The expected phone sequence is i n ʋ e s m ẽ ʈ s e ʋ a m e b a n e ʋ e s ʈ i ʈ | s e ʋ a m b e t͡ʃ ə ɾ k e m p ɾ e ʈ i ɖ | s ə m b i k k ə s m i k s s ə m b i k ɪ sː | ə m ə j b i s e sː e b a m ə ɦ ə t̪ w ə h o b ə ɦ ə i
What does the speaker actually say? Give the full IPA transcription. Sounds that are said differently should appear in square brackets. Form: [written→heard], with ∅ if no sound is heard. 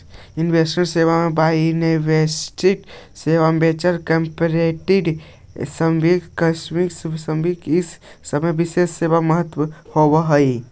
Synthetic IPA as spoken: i n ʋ e s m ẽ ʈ s e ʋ a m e b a n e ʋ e s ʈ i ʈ | s e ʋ a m b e t͡ʃ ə ɾ k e m p ɾ e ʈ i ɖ | s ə m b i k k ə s m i k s s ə m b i k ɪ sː | ə m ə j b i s e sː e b a m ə ɦ ə t̪ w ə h o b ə ɦ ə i